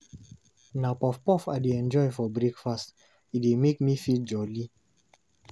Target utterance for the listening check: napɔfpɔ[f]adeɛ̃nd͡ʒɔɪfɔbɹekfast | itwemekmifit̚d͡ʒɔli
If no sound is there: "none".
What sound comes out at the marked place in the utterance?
f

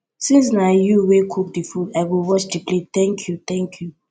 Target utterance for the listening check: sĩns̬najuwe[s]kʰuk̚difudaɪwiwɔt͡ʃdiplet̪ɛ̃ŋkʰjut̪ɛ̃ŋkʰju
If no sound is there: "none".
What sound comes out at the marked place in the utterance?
none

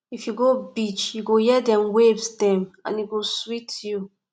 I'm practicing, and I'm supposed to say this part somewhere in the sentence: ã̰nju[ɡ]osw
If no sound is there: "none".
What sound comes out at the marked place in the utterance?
ɡ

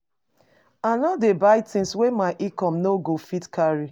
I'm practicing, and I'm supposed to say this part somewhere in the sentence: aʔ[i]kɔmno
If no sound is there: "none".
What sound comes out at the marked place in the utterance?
i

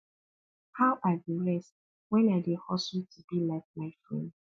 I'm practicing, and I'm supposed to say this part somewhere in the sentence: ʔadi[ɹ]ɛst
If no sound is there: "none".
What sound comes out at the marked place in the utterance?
ɹ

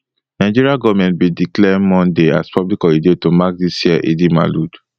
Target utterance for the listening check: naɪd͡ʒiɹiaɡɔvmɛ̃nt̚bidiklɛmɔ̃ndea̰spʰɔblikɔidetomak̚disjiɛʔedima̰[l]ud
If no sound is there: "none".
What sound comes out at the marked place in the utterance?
l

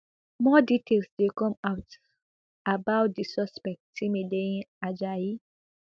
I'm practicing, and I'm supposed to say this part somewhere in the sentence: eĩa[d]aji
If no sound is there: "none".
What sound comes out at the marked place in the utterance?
d͡ʒ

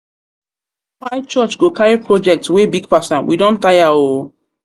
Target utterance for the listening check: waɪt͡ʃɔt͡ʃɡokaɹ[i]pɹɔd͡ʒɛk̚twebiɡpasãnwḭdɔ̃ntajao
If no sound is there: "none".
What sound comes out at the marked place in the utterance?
i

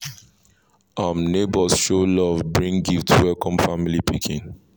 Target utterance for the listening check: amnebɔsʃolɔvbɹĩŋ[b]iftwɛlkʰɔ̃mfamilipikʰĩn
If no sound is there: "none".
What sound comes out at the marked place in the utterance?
ɡ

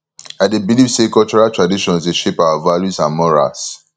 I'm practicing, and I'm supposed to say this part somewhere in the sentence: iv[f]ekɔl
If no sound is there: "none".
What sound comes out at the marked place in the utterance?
s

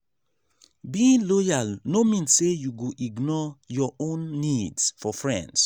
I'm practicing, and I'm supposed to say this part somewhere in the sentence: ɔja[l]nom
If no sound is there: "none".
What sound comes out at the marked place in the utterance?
l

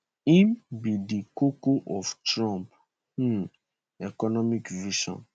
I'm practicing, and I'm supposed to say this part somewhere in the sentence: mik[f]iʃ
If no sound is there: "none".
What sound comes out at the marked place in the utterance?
v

